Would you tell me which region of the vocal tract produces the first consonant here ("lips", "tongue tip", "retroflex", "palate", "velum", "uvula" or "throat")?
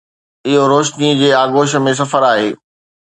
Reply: throat